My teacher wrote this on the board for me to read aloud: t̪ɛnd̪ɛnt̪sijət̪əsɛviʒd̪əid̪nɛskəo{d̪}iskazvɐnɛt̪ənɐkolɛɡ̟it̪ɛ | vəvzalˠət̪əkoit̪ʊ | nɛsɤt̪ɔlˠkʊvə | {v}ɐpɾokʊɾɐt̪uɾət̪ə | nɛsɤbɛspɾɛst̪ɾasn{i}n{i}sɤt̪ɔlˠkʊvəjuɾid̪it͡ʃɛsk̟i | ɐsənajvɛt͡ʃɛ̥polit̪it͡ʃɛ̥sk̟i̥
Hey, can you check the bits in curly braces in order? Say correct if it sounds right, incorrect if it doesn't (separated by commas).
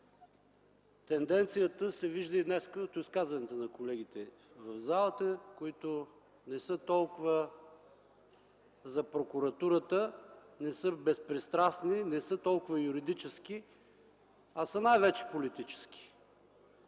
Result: incorrect, incorrect, correct, incorrect